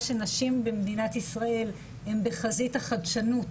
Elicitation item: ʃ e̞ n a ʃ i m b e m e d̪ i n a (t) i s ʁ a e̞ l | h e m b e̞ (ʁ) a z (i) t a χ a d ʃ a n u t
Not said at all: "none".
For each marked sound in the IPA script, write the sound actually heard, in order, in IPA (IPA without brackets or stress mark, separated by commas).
t, χ, i